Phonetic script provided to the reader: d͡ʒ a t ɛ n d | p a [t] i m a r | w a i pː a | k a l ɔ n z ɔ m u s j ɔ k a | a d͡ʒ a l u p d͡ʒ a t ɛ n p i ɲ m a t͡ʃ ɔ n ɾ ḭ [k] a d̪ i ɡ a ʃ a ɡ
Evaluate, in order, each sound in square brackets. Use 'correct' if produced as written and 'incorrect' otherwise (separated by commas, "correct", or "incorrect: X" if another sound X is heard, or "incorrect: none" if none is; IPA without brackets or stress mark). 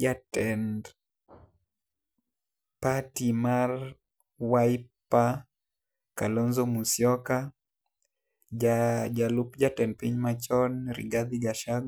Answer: correct, incorrect: ɡ